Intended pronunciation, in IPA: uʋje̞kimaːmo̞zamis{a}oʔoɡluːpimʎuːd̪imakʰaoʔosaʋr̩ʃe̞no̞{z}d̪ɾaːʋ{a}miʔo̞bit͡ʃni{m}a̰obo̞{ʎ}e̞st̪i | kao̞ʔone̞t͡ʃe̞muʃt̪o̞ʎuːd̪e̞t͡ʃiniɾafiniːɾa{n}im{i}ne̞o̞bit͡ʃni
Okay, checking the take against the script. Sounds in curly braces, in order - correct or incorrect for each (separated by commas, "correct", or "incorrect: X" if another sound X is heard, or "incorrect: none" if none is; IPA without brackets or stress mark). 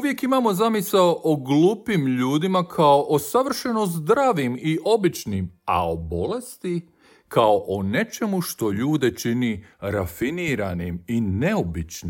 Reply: correct, correct, incorrect: i, correct, incorrect: l, correct, correct